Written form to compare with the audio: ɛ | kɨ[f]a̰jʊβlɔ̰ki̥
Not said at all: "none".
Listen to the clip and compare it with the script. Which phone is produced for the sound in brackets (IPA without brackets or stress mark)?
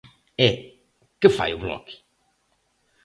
f